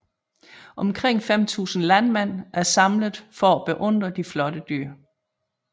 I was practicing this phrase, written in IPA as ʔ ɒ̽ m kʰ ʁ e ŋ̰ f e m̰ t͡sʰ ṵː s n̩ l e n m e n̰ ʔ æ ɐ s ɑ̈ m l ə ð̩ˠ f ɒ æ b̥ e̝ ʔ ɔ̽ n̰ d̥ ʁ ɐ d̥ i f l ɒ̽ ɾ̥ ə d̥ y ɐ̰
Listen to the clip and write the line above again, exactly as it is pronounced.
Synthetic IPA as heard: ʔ ɒ̽ m kʰ ʁ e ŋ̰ f e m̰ t͡sʰ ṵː s n̩ l æ n m e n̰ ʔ æ ɐ s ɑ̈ m l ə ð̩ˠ f ɒ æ b̥ e̝ ʔ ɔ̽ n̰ d̥ ʁ ɐ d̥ i f l ɒ̽ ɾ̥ ə d̥ y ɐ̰